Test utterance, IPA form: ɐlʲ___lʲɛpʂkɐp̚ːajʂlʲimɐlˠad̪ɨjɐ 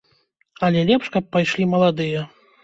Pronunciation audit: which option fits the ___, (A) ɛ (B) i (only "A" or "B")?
A